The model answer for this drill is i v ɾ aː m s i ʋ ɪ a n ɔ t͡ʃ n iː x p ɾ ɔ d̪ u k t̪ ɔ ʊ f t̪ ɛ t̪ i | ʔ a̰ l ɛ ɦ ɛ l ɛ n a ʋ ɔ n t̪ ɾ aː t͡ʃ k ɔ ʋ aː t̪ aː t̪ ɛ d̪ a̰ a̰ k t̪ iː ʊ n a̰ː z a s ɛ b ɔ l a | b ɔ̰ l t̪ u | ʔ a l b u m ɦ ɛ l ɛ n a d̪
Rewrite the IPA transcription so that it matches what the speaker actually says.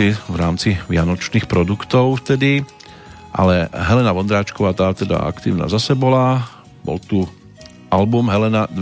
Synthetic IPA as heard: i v ɾ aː m t͡s i ʋ ɪ a n ɔ t͡ʃ n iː x p ɾ ɔ d̪ u k t̪ ɔ ʊ f t̪ ɛ d̪ i | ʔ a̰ l ɛ ɦ ɛ l ɛ n a ʋ ɔ n d̪ ɾ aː t͡ʃ k ɔ ʋ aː t̪ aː t̪ ɛ d̪ a̰ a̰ k t̪ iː ʊ n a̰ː z a s ɛ b ɔ l a | b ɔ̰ l t̪ u | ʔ a l b u m ɦ ɛ l ɛ n a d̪